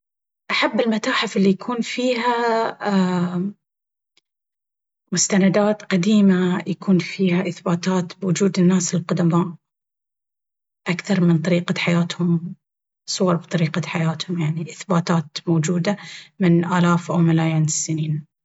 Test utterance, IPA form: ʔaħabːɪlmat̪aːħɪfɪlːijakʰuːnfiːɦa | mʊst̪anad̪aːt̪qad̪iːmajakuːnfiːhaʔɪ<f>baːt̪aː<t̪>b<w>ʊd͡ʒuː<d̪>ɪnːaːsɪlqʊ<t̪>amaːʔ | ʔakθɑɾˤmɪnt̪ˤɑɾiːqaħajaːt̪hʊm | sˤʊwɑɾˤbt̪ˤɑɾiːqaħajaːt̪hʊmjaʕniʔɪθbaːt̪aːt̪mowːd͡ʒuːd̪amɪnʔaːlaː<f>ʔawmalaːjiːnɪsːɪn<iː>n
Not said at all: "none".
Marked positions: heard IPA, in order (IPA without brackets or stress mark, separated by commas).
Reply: θ, t̪, w, d̪, d̪, f, iː